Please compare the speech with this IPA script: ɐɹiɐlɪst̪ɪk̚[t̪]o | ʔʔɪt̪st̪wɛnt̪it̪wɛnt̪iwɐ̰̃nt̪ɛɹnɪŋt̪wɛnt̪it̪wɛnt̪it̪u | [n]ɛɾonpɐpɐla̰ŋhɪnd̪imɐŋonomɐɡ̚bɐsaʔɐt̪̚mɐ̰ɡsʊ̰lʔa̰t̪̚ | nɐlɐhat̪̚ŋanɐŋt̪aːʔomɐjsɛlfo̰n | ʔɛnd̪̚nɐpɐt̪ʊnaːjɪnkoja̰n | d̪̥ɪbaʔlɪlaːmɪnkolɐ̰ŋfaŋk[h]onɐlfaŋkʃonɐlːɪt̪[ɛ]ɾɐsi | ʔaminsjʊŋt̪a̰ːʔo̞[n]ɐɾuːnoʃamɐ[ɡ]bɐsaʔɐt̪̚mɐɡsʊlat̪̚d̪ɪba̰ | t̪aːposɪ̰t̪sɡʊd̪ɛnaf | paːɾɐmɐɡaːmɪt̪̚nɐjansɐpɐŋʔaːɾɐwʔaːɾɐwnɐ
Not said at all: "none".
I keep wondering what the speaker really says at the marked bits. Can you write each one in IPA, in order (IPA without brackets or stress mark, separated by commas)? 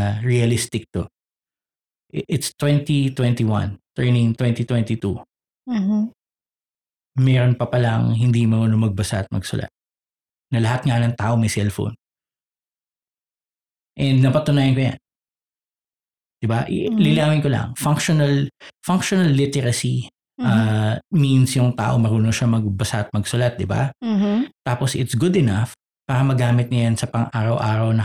t̪, m, ʃ, ɛ, m, ɡ